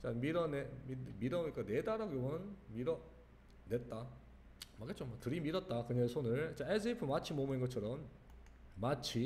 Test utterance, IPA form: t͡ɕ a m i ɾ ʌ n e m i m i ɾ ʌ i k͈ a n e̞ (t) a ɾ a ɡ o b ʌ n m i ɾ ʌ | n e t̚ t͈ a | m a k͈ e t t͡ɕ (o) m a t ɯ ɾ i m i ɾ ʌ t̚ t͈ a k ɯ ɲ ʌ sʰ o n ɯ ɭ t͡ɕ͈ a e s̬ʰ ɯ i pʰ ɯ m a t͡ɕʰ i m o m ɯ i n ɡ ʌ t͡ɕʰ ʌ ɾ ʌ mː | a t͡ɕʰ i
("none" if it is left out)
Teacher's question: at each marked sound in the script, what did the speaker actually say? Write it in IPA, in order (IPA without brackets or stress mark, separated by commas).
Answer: d, o